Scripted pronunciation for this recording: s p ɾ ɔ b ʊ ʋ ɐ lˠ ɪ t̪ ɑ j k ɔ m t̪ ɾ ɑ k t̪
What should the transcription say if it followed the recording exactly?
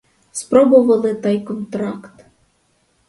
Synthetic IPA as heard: s p ɾ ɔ b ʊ ʋ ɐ lˠ ɪ t̪ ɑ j k ɔ n t̪ ɾ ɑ k t̪